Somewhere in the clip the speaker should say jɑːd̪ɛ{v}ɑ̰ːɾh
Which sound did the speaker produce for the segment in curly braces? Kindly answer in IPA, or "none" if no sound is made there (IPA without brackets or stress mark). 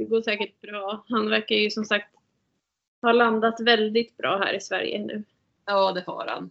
f